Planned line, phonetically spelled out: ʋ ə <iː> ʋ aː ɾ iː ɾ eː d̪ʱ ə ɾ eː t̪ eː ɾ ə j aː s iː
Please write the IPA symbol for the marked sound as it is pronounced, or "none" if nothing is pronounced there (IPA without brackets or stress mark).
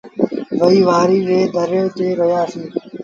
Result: iː